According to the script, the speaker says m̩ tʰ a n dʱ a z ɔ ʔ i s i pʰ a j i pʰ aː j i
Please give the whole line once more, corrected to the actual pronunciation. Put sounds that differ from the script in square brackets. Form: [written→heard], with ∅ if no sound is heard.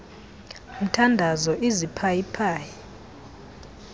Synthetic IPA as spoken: m̩ tʰ a n dʱ a z ɔ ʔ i [s→z] i pʰ a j i pʰ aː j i